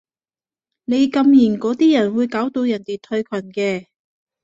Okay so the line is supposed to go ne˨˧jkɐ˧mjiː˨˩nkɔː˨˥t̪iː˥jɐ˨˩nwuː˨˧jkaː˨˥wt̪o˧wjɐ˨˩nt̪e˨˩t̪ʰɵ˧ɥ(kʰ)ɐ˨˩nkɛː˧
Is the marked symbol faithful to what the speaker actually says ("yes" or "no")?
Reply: yes